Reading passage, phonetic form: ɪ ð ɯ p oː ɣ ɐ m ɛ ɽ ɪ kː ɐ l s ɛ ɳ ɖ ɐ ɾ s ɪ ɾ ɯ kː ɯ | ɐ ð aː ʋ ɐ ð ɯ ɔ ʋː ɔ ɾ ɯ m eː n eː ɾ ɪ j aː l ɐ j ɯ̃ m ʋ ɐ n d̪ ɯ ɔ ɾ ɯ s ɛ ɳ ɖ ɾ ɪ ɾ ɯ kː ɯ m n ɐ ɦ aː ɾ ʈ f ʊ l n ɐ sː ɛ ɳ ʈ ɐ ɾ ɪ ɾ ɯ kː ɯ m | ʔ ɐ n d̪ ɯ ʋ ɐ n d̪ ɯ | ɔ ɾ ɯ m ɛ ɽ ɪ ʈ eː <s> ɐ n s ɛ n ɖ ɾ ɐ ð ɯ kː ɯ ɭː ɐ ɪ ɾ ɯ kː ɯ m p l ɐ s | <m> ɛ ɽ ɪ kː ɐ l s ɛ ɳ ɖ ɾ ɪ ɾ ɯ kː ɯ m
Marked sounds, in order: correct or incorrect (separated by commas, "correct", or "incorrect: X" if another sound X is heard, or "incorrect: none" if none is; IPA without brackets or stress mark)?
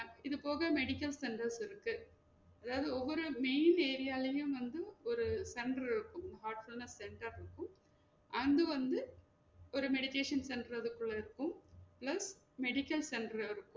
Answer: incorrect: ʂ, correct